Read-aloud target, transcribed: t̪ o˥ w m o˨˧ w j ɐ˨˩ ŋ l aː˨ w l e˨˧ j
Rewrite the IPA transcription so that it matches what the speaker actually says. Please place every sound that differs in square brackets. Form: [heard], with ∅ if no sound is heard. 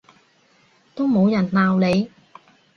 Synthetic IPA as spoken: t̪ o˥ w m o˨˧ w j ɐ˨˩ [n] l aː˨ w l e˨˧ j